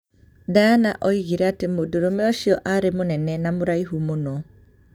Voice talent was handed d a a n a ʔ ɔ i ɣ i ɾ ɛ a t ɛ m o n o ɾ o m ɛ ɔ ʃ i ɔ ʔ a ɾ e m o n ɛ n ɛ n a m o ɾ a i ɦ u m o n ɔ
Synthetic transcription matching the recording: d a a n a ʔ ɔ i ɣ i ɾ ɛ a t e m o d o ɾ o m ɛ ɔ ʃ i ɔ ʔ a ɾ e m o n ɛ n ɛ n a m o ɾ a i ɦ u m o n ɔ